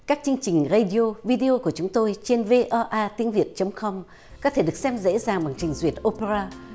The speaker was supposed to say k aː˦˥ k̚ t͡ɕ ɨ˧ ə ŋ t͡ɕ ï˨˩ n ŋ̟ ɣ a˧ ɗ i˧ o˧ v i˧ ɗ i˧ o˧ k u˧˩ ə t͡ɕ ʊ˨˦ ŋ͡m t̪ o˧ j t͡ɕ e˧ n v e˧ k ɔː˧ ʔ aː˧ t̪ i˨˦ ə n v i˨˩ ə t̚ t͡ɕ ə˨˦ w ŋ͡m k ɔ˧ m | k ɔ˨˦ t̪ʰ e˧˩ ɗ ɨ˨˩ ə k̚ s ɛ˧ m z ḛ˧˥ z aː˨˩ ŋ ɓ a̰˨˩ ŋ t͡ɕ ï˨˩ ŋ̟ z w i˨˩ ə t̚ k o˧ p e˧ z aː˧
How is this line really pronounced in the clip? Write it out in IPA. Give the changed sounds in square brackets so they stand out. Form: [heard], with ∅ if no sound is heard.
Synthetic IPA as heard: k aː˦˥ k̚ t͡ɕ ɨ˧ ə ŋ t͡ɕ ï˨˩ [∅] ŋ̟ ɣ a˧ ɗ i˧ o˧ v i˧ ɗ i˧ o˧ k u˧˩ ə t͡ɕ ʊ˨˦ ŋ͡m t̪ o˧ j t͡ɕ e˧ n v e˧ [ʔ] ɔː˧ ʔ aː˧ t̪ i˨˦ ə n v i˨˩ ə t̚ t͡ɕ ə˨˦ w ŋ͡m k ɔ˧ m | k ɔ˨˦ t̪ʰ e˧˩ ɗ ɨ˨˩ ə k̚ s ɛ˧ m z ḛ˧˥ z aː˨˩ ŋ ɓ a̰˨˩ ŋ t͡ɕ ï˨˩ ŋ̟ z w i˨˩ ə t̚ [ʔ] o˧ p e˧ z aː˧